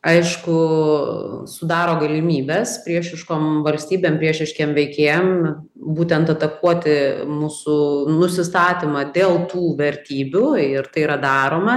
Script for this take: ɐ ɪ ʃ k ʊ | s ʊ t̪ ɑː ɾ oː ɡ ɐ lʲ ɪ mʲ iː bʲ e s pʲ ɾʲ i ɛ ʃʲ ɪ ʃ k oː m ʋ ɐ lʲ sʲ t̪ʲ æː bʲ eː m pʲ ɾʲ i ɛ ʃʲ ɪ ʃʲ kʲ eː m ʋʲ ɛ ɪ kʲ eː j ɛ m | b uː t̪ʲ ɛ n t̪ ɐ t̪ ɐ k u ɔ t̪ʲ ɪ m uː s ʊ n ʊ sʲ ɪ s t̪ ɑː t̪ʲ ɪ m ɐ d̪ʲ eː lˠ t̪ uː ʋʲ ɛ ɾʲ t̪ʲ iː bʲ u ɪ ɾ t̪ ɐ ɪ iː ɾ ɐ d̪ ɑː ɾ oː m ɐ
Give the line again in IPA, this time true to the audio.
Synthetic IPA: ɐ ɪ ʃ k ʊ | s ʊ d̪ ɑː ɾ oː ɡ ɐ lʲ ɪ mʲ iː bʲ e s pʲ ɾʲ i ɛ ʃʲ ɪ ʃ k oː m ʋ ɐ lʲ sʲ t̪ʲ iː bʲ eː m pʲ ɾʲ i ɛ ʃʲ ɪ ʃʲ kʲ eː m ʋʲ ɛ ɪ kʲ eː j ɛ m | b uː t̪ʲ ɛ n t̪ ɐ t̪ ɐ k u ɔ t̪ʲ ɪ m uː s ʊ n ʊ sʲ ɪ s t̪ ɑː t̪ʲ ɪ m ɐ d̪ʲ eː lˠ t̪ uː ʋʲ ɛ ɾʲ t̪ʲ iː bʲ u ɪ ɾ t̪ ɐ ɪ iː ɾ ɐ d̪ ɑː ɾ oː m ɐ